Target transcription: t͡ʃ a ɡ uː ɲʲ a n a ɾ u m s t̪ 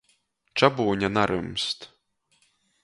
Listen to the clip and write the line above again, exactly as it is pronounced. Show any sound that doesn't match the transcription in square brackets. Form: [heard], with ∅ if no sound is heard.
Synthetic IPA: t͡ʃ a [b] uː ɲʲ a n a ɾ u m s t̪